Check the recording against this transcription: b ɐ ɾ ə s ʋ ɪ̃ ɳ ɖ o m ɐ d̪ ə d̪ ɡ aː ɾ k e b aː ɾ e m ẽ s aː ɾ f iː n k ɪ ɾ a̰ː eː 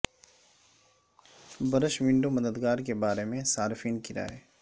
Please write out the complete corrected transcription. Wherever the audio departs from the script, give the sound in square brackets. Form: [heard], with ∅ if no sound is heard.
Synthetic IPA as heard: b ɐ ɾ ə [ʃ] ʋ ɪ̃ ɳ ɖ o m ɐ d̪ ə d̪ ɡ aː ɾ k e b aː ɾ e m ẽ s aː ɾ f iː n k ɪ ɾ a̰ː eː

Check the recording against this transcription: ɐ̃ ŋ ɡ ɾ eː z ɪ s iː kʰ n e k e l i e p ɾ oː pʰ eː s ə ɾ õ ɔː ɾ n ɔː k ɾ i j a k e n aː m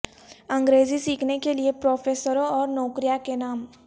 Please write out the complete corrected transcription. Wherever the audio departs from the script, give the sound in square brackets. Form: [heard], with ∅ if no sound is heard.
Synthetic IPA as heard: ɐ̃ ŋ ɡ ɾ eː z [i] s iː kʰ n e k e l i e p ɾ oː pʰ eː s ə ɾ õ ɔː ɾ n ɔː k ɾ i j a k e n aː m

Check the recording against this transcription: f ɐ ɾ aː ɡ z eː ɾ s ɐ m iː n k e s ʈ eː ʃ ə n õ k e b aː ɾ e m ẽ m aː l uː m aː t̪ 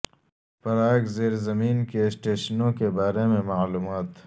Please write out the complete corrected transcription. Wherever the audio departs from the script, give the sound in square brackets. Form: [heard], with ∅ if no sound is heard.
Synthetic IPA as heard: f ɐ ɾ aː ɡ z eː ɾ [z] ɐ m iː n k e s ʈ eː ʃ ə n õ k e b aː ɾ e m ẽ m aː l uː m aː t̪

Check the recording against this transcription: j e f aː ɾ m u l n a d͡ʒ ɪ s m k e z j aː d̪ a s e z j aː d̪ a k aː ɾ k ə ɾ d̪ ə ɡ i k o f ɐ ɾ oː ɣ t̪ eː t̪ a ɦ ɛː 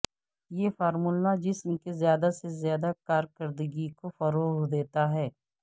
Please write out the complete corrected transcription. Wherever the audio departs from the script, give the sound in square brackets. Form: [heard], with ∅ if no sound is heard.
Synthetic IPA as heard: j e f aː ɾ m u l n a d͡ʒ ɪ s m k e z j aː d̪ a s e z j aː d̪ a k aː ɾ k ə ɾ d̪ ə ɡ i k o f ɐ ɾ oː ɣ [d̪] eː t̪ a ɦ ɛː

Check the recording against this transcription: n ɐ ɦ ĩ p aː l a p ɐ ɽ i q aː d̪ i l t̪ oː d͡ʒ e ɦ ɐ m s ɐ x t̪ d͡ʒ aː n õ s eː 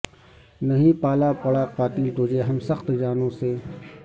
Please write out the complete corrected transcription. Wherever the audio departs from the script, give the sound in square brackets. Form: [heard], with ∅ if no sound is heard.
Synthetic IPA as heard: n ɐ ɦ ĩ p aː l a p ɐ ɽ [a] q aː [t̪] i l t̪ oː d͡ʒ e ɦ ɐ m s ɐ x t̪ d͡ʒ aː n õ s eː

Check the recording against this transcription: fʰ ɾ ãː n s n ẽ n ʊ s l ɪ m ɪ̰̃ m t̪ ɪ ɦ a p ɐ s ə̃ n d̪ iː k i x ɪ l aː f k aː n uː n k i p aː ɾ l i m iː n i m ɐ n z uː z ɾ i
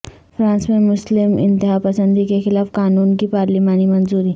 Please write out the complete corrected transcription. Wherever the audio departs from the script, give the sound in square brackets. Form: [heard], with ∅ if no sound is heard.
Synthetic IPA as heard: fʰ ɾ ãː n s [m] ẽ [m] ʊ s l ɪ m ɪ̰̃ [n] t̪ ɪ ɦ a p ɐ s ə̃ n d̪ [i] k [e] x ɪ l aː f k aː n uː n k i p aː ɾ l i m [aː] n i m ɐ n z uː [∅] ɾ i

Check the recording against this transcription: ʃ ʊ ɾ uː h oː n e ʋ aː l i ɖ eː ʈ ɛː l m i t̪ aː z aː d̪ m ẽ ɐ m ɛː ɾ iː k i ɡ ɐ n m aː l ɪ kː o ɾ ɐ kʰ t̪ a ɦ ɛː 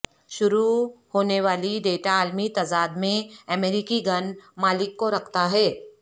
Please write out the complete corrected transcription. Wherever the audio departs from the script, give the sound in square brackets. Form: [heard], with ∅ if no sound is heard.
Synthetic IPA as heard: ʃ ʊ ɾ [u] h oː n e ʋ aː l i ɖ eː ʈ [aː] l m i t̪ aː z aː d̪ m ẽ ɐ m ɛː ɾ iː k i ɡ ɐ n m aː l ɪ kː o ɾ ɐ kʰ t̪ a ɦ ɛː

